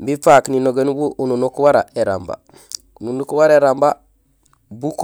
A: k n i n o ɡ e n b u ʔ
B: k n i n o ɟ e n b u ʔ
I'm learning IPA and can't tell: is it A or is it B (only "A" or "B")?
A